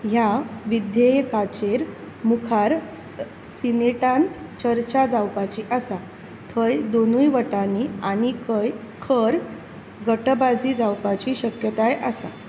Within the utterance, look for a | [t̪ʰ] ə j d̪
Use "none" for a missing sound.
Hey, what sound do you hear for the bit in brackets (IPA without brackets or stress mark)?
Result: t̪ʰ